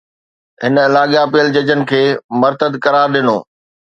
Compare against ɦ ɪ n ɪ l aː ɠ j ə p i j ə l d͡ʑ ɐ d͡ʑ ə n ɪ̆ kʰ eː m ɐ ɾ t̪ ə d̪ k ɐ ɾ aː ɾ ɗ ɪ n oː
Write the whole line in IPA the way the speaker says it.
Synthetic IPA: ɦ ɪ n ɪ l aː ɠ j a p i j ə l d͡ʑ ɐ d͡ʑ ə n ɪ̆ kʰ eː m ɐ ɾ t̪ ə d̪ k ɐ ɾ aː ɾ ɗ ɪ n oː